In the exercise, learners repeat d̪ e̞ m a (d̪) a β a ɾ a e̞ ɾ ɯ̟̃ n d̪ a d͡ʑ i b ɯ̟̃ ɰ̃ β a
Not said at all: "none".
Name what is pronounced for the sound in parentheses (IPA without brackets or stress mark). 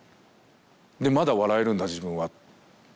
d̪